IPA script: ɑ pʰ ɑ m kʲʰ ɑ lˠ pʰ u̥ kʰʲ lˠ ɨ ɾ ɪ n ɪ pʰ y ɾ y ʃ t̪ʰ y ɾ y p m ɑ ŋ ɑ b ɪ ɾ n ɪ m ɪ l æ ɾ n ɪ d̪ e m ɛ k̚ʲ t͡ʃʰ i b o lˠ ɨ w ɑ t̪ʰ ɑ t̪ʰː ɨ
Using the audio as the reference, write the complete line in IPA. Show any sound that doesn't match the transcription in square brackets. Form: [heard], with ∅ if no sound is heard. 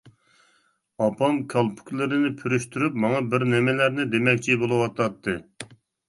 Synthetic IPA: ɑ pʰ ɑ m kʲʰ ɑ lˠ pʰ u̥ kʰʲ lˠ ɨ ɾ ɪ n ɪ pʰ y ɾ y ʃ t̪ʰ y ɾ y p m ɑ ŋ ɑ b ɪ ɾ n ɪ m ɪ l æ ɾ n ɪ d̪ e m ɛ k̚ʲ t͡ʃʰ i b o lˠ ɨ w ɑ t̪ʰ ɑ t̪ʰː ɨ